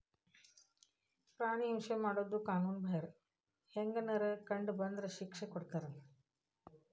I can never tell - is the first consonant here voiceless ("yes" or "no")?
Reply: yes